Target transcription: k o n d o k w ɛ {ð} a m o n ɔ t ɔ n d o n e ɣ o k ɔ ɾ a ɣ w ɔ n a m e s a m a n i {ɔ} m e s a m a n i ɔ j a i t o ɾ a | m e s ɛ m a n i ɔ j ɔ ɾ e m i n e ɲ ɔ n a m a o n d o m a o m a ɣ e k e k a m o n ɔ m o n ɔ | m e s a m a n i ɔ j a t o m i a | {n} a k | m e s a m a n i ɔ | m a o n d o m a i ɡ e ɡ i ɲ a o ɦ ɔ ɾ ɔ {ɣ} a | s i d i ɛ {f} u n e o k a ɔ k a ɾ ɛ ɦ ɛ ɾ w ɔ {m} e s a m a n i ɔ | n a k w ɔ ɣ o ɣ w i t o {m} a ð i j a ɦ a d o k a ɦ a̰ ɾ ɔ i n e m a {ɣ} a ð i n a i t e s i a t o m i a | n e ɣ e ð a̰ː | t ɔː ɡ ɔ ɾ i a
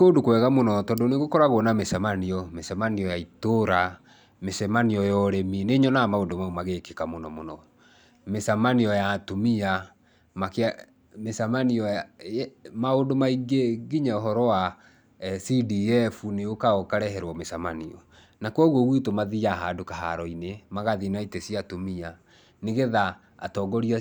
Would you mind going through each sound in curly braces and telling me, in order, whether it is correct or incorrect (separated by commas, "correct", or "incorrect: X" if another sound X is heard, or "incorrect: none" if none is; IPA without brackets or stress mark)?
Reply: incorrect: ɣ, correct, incorrect: m, incorrect: w, correct, correct, correct, correct